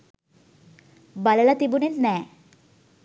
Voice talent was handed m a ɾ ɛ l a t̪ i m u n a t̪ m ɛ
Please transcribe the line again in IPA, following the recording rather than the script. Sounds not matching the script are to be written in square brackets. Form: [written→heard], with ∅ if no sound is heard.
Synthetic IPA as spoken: [m→b] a [ɾ→l] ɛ l a t̪ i [m→b] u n [a→e] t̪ [m→n] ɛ

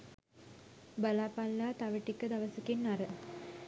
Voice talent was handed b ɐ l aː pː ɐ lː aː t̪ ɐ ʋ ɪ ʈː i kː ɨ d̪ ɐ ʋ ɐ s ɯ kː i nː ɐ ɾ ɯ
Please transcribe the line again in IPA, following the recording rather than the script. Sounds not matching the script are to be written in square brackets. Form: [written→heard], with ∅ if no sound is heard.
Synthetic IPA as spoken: b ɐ l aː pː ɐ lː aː t̪ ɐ ʋ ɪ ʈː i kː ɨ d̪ ɐ ʋ ɐ s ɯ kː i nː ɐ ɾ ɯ

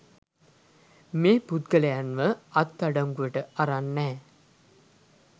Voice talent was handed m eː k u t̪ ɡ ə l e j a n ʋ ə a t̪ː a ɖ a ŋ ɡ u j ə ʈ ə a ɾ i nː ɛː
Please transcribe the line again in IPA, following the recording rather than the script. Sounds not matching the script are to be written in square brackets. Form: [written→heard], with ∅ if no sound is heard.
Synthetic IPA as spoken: m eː [k→p] u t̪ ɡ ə l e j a n ʋ ə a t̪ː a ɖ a ŋ ɡ u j ə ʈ ə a ɾ [i→a] nː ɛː

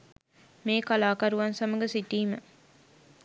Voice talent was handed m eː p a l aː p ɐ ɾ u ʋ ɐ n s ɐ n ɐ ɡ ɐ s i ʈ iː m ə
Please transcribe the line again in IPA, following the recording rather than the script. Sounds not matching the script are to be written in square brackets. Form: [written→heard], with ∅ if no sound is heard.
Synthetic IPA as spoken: m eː [p→k] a l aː [p→k] ɐ ɾ u ʋ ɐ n s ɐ [n→m] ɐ ɡ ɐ s i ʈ iː m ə

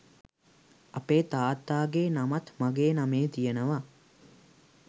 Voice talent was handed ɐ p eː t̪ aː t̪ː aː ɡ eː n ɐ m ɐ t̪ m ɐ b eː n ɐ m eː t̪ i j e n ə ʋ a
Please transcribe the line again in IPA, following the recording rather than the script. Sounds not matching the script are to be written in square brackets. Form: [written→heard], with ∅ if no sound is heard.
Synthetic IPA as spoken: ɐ p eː t̪ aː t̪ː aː ɡ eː n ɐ m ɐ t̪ m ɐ [b→ɡ] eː n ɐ m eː t̪ i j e n ə ʋ a

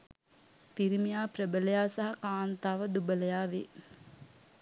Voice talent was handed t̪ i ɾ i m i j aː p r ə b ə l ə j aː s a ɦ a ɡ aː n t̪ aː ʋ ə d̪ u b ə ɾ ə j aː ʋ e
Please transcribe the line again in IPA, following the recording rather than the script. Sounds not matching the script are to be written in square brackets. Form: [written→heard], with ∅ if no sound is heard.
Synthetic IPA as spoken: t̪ i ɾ i m i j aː p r ə b ə l ə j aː s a ɦ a [ɡ→k] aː n t̪ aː ʋ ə d̪ u b ə [ɾ→l] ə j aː ʋ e

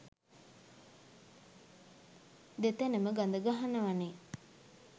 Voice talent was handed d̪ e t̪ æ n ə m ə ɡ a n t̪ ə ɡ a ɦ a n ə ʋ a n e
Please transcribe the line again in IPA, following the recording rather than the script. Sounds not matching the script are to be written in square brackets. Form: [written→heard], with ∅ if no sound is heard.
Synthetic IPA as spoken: d̪ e t̪ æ n ə m ə ɡ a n [t̪→d̪] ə ɡ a ɦ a n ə ʋ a n e

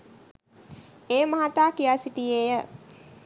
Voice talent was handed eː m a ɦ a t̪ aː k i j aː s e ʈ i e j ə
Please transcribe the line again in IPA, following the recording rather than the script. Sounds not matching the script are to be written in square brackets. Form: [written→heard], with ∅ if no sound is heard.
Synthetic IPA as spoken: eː m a ɦ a t̪ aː k i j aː s [e→i] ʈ i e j ə

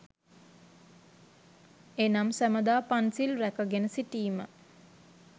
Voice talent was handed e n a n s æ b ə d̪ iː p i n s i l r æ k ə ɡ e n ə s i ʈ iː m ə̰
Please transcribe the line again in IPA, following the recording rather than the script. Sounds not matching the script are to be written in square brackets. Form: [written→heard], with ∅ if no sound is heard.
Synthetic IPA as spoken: e n a [n→m] s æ [b→m] ə d̪ [iː→aː] p [i→a] n s i l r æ k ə ɡ e n ə s i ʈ iː m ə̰

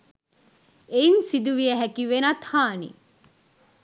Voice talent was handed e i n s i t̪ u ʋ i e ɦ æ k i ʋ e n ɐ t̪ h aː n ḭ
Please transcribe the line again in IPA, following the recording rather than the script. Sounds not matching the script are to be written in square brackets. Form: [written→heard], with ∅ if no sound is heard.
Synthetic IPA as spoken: e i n s i [t̪→d̪] u ʋ i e ɦ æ k i ʋ e n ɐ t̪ h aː n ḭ

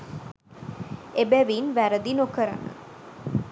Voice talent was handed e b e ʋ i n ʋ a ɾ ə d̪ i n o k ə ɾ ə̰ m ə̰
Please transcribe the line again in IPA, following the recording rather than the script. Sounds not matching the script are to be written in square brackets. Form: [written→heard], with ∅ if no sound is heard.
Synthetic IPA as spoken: e b [e→æ] ʋ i n ʋ [a→æ] ɾ ə d̪ i n o k ə ɾ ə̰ [m→n] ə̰

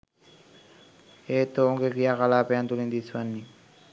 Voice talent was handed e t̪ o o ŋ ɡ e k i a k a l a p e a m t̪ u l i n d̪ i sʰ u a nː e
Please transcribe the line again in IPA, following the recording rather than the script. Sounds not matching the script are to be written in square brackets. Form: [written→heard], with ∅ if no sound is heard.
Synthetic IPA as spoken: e t̪ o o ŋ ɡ e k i a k a l a p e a [m→n] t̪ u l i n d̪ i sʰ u a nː [e→i]

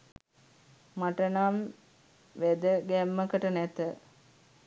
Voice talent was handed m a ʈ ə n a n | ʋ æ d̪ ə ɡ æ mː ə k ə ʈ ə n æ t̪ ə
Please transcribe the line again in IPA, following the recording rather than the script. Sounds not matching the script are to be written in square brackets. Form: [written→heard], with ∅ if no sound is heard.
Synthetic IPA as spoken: m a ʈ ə n a [n→m] | ʋ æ d̪ ə ɡ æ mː ə k ə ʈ ə n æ t̪ ə

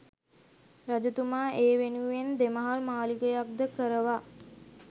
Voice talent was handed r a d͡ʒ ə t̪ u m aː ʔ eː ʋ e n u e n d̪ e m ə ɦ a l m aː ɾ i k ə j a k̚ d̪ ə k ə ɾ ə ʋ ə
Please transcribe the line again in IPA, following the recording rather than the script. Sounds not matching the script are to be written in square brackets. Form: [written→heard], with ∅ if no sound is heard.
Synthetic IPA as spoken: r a d͡ʒ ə t̪ u m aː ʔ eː ʋ e n u e n d̪ e m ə ɦ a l m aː [ɾ→l] i k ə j a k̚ d̪ ə k ə ɾ ə ʋ [ə→a]

